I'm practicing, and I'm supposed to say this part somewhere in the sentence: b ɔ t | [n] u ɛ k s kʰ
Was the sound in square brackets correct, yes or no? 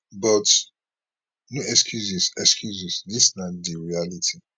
yes